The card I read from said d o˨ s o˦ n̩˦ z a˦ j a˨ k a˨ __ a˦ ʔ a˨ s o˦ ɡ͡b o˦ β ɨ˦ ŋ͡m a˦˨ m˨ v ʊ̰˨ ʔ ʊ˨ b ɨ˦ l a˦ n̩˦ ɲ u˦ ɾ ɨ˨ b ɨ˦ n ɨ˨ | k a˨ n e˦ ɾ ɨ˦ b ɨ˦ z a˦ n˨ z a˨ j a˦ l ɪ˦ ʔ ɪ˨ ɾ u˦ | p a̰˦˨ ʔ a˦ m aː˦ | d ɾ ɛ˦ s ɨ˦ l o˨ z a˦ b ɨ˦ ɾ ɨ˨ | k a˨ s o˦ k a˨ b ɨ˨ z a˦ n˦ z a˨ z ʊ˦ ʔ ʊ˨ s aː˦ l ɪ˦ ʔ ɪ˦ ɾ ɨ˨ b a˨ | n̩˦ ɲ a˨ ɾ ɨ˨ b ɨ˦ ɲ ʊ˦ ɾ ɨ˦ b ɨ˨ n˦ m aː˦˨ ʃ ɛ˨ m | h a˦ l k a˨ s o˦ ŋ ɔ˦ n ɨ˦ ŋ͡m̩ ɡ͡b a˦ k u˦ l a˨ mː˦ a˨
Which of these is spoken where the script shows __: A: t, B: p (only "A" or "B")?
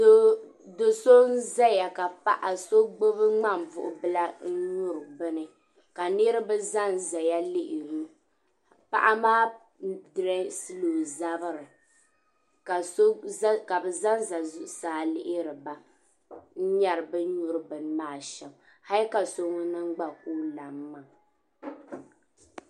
B